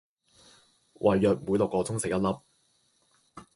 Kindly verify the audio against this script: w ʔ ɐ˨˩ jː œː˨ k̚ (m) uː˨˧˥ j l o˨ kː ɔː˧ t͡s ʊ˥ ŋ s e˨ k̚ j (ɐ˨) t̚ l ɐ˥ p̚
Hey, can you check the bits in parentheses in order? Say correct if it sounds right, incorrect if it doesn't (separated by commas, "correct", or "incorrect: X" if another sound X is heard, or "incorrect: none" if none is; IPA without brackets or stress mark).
correct, incorrect: ɐ˥